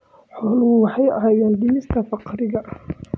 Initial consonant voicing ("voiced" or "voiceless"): voiceless